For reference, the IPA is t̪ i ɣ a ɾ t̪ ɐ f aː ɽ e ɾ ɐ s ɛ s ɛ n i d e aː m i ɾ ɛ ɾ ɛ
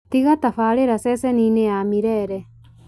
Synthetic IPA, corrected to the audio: t̪ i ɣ a t̪ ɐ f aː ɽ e ɾ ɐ s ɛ s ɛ n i n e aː m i ɾ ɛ ɾ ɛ